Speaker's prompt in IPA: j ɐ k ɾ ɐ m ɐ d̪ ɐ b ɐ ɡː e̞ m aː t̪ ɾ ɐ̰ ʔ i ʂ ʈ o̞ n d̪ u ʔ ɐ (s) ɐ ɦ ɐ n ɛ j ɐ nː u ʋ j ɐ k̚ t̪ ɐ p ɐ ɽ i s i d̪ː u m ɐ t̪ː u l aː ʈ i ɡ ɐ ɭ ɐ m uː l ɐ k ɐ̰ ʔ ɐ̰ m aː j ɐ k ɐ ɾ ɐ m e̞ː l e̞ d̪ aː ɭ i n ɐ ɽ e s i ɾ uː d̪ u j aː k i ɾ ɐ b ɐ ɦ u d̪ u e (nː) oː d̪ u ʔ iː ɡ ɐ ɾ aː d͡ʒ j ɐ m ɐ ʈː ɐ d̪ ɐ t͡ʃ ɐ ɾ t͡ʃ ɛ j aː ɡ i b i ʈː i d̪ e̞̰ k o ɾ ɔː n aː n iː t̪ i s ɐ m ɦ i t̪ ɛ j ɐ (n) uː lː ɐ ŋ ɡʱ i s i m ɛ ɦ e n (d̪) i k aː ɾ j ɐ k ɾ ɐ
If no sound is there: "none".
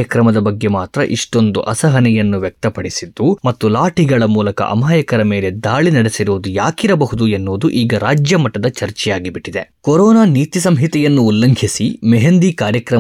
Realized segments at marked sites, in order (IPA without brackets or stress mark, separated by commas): s, nː, nː, d̪